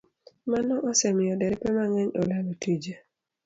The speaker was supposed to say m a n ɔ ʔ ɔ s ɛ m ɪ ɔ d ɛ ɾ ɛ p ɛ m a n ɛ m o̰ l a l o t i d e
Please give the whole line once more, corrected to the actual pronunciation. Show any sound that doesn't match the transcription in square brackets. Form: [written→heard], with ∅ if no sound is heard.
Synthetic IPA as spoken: m a n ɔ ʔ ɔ s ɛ m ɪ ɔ d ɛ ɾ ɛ p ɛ m a [n→ŋ] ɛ [m→ɲ] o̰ l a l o t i [d→d͡ʒ] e